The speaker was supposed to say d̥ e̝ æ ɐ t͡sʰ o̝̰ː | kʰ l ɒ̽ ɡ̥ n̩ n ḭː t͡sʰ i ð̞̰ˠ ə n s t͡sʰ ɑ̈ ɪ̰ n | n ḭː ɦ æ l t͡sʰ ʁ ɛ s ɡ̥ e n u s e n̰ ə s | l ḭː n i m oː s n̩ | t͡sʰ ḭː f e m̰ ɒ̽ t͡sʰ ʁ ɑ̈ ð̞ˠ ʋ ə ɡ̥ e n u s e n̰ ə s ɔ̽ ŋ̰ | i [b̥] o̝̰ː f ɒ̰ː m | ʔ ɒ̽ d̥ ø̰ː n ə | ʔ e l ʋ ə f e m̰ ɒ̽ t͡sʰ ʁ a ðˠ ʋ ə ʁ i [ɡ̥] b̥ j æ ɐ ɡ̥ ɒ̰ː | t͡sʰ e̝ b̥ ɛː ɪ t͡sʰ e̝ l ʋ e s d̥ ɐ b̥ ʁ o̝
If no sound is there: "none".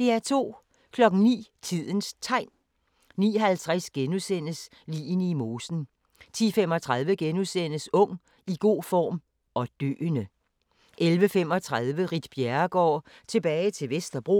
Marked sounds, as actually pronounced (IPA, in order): ɡ̥, d̥

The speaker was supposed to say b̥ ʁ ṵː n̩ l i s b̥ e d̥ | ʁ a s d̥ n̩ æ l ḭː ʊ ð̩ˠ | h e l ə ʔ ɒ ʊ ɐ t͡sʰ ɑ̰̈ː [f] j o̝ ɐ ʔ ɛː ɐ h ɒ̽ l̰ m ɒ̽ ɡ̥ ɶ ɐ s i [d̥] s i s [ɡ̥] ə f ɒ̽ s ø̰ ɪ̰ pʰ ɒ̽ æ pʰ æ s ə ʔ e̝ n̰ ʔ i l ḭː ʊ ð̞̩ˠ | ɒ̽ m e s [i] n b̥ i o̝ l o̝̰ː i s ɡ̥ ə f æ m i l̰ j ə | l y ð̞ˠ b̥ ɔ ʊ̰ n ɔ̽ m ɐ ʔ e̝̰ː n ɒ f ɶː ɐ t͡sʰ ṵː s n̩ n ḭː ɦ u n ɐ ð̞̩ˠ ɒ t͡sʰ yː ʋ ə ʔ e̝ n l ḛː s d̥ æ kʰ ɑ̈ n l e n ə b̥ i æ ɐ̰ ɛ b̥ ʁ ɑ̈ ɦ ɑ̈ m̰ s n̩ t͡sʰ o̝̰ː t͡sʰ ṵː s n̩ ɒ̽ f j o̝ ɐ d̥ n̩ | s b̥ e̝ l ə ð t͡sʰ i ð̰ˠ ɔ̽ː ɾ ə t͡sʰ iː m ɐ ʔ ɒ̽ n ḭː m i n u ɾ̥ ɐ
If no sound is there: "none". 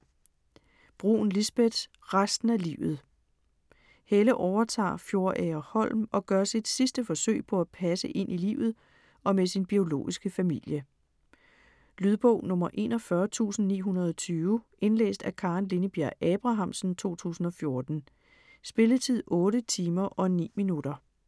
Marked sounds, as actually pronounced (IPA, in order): f, d̥, d̥, i

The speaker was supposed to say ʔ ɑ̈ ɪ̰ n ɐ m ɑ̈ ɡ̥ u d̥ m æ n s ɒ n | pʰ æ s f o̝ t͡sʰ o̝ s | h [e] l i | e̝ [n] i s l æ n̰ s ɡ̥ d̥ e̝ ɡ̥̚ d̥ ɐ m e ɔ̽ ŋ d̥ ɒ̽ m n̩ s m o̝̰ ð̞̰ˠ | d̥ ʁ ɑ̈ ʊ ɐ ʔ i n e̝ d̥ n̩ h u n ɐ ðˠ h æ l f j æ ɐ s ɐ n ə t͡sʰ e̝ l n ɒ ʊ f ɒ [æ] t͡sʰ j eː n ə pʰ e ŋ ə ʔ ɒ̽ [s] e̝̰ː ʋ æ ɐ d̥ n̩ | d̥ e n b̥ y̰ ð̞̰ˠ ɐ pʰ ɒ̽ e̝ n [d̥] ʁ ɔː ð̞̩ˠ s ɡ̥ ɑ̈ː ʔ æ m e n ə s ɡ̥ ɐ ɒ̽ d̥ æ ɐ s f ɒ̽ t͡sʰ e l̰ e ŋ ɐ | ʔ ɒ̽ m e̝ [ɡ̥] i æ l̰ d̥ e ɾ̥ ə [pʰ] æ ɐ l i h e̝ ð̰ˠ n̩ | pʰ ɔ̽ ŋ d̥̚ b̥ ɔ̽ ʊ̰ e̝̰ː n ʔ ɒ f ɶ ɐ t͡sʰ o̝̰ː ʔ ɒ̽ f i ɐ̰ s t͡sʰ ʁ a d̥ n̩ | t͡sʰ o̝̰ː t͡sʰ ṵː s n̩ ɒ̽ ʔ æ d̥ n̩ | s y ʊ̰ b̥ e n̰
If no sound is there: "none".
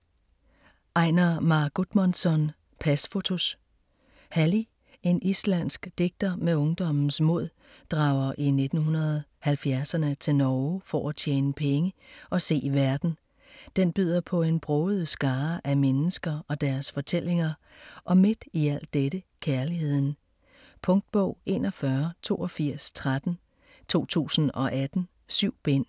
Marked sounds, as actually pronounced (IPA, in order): æ, n, æ, s, b̥, d̥, kʰ

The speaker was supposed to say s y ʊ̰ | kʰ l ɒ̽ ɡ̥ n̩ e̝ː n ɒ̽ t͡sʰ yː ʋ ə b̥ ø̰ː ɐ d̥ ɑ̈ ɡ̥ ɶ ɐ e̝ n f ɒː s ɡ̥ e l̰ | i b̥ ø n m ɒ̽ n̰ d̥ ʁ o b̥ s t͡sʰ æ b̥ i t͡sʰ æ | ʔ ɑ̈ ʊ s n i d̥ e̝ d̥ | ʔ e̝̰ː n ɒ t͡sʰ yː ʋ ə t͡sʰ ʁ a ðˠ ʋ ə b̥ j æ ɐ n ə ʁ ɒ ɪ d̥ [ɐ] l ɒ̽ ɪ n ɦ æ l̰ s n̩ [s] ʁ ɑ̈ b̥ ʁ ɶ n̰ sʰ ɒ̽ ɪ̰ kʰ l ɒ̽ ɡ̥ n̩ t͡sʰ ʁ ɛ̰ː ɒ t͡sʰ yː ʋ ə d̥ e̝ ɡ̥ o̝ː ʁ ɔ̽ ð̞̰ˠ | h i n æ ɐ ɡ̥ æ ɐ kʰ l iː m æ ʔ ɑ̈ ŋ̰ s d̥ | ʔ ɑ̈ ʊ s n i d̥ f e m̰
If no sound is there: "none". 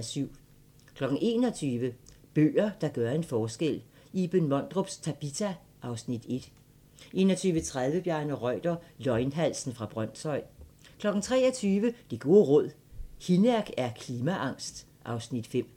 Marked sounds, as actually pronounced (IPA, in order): ɐ, f

